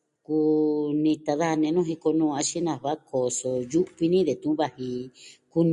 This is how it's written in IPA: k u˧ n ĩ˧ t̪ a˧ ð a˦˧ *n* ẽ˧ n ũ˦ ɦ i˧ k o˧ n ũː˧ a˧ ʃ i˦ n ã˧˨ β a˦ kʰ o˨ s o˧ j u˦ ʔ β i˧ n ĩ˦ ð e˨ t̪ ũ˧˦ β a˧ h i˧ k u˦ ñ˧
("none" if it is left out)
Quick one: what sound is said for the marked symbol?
n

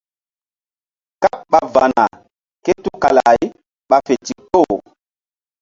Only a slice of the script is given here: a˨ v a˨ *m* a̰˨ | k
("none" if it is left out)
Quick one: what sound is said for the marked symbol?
n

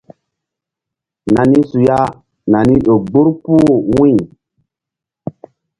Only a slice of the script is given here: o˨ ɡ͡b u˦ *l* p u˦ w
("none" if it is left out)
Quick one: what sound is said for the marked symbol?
ɾ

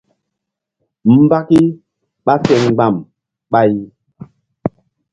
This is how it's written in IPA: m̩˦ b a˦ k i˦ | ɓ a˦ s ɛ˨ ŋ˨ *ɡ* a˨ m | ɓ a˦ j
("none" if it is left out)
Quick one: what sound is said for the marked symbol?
ɡ͡b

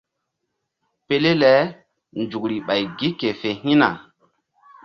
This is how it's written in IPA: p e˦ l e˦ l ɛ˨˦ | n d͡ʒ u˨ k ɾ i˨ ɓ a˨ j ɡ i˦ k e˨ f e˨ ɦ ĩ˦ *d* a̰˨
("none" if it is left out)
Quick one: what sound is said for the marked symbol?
n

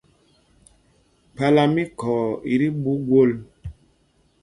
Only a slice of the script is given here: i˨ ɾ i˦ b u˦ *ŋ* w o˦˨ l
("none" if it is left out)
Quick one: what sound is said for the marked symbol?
ɡ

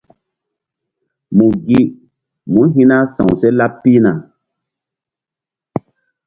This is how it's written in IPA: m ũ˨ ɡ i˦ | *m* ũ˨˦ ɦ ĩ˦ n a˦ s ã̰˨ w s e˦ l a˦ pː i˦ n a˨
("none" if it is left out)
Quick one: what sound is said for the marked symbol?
m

